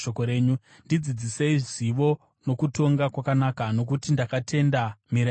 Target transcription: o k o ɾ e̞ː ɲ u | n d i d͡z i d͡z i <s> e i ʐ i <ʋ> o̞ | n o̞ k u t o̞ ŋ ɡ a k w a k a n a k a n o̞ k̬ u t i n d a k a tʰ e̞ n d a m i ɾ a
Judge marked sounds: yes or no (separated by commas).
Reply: yes, yes